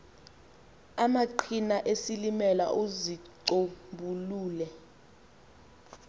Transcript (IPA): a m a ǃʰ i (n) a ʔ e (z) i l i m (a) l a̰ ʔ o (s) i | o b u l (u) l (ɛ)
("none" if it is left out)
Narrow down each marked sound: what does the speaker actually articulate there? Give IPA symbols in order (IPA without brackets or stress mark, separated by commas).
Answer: n, s, ɛ, z, uː, ɛ